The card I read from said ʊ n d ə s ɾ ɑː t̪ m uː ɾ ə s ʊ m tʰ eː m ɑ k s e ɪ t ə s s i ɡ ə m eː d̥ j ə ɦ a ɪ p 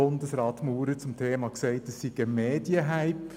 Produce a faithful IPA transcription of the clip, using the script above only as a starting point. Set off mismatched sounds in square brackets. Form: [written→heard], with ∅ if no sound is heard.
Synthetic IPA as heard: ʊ n d ə s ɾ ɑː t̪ m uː ɾ ə [s→t͡s] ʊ m tʰ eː m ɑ k s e ɪ t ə s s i ɡ ə m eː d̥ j ə ɦ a ɪ p